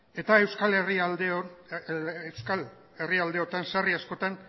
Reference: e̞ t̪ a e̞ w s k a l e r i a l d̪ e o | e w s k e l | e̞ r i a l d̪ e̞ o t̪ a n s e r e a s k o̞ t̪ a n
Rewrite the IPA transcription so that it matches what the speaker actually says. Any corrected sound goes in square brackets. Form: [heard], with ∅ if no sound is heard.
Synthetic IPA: e̞ t̪ a e̞ w s k a l e r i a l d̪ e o | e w s k [a] l | e̞ r i a l d̪ e̞ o t̪ a n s [a] r [i] a s k o̞ t̪ a n